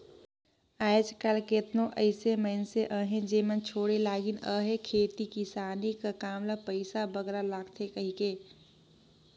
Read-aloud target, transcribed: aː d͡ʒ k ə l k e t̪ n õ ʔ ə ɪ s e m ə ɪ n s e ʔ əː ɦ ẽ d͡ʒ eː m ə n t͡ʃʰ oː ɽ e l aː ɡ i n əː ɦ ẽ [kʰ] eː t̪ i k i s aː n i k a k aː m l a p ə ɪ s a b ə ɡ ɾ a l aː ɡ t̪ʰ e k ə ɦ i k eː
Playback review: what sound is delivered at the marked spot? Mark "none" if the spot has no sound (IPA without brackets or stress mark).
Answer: kʰ